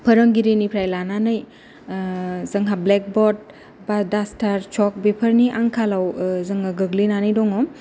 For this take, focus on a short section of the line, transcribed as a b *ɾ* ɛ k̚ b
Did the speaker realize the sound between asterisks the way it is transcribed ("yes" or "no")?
no